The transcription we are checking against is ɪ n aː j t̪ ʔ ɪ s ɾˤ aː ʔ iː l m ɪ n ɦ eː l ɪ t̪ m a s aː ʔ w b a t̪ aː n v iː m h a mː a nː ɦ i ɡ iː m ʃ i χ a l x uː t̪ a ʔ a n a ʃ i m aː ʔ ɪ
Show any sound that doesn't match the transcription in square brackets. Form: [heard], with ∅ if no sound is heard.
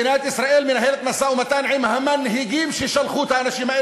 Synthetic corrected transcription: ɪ n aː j t̪ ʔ ɪ s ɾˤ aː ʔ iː l m ɪ n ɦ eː l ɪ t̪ m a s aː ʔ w [m] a t̪ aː n [ʕ] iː m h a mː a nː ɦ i ɡ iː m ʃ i [ʃ] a l x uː t̪ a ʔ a n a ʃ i m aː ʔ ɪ